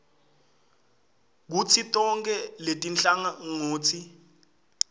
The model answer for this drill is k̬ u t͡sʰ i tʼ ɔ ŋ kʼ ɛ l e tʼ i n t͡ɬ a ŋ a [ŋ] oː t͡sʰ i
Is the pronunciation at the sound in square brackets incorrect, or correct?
correct